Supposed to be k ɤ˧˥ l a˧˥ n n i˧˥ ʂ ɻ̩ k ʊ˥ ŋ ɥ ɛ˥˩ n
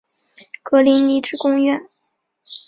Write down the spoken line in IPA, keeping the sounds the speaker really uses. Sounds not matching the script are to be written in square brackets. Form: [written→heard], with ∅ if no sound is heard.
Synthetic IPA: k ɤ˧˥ l [a˧˥→i˧˥] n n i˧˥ [ʂ→ʈ͡ʂ] ɻ̩ k ʊ˥ ŋ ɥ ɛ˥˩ n

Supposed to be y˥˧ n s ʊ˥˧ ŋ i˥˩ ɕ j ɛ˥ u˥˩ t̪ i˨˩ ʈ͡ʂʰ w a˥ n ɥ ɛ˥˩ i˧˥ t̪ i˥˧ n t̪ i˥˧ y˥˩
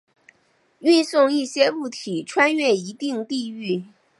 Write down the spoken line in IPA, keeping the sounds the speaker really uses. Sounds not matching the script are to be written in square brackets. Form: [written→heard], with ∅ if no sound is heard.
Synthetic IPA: y˥˧ n s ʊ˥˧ ŋ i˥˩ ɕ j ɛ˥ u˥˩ [t̪→t̪ʰ] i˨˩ ʈ͡ʂʰ w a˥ n ɥ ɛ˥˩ i˧˥ t̪ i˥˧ [n→ŋ] t̪ i˥˧ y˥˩

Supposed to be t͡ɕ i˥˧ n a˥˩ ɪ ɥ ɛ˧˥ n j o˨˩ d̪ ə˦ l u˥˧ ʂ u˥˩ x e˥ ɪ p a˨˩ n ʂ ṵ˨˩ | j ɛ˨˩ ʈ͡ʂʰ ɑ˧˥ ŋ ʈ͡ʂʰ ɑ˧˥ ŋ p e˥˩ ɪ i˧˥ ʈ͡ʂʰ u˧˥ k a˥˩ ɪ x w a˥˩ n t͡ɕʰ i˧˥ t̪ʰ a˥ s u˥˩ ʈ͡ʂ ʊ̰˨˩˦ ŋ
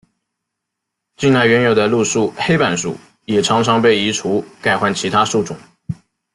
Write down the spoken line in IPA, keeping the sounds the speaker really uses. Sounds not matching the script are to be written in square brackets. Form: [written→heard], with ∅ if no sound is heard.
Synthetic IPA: t͡ɕ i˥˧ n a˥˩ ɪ ɥ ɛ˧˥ n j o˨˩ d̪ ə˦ l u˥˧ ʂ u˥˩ x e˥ ɪ p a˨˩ n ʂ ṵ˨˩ | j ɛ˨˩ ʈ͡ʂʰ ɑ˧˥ ŋ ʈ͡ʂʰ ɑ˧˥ ŋ p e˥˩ ɪ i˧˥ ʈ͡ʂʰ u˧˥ k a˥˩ ɪ x w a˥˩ n t͡ɕʰ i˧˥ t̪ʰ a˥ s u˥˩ ʈ͡ʂ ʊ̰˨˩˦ ŋ

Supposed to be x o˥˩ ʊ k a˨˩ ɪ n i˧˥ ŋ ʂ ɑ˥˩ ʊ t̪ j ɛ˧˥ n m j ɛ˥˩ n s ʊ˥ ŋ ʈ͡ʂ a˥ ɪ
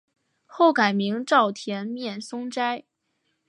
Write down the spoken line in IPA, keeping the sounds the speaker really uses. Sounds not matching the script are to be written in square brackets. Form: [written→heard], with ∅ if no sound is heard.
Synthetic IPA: x o˥˩ ʊ k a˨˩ ɪ [n→m] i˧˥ ŋ [ʂ→ʈ͡ʂ] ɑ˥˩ ʊ [t̪→t̪ʰ] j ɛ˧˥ n m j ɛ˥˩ n s ʊ˥ ŋ ʈ͡ʂ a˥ ɪ

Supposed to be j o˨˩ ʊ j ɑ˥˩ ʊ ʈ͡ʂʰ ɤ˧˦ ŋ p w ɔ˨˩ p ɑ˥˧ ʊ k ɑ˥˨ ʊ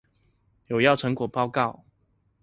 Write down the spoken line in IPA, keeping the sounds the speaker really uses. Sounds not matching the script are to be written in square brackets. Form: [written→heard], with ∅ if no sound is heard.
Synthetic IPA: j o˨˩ ʊ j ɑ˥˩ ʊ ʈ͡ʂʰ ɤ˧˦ ŋ [p→k] w ɔ˨˩ p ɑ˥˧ ʊ k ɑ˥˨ ʊ

